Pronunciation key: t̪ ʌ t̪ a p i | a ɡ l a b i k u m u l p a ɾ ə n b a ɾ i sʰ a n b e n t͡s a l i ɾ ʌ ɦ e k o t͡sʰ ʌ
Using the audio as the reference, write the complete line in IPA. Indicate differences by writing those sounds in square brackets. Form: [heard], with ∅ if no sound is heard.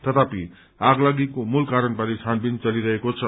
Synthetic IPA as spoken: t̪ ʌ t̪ a p i | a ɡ l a [ɡ] i k [o] m u l [k] a ɾ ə n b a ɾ i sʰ a n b [i] n t͡s [ʌ] l i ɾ ʌ ɦ e k o t͡sʰ ʌ